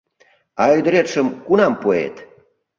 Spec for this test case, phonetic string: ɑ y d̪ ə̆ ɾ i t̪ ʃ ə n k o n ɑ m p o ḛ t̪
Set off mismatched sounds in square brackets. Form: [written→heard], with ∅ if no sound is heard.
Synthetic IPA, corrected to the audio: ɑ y d̪ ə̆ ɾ [i→e] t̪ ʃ ə [n→m] k [o→u] n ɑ m p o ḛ t̪